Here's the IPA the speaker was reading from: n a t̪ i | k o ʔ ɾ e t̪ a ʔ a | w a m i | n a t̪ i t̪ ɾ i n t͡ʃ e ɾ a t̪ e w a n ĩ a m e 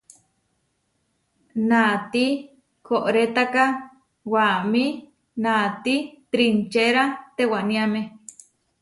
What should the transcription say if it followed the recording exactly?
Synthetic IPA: n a t̪ i | k o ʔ ɾ e t̪ a k a | w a m i | n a t̪ i t̪ ɾ i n t͡ʃ e ɾ a t̪ e w a n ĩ a m e